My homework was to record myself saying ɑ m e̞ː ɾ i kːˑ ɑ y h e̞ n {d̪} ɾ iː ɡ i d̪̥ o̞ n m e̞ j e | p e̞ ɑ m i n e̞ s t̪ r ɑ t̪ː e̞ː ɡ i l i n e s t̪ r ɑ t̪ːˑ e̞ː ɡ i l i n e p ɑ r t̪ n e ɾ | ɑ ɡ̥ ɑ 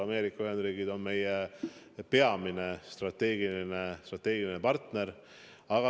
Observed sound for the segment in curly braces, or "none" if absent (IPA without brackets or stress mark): d̪